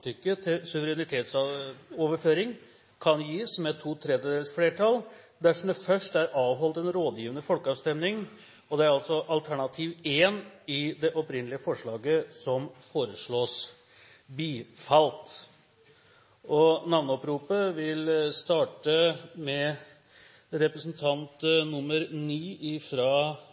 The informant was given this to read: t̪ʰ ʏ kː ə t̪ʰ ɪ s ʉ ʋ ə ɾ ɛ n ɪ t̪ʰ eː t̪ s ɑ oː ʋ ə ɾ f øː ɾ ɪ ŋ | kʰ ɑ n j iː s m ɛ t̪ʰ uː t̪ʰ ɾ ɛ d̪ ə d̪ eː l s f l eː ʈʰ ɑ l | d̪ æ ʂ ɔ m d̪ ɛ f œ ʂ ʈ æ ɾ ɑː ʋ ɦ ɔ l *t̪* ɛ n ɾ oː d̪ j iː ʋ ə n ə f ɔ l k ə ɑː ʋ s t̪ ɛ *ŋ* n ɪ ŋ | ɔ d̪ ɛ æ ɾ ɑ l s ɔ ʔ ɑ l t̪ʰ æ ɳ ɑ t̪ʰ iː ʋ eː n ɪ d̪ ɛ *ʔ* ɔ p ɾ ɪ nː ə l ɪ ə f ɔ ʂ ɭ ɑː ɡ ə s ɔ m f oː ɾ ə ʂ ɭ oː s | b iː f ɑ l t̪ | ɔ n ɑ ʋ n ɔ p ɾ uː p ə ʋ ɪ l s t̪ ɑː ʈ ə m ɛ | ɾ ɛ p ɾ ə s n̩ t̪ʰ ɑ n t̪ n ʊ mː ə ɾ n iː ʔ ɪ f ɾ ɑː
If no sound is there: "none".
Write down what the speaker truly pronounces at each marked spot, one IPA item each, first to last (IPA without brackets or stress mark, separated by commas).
t̪, m, ʔ